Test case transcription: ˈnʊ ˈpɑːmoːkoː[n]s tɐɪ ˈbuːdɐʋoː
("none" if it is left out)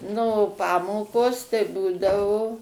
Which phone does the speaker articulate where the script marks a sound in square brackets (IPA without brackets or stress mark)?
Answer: none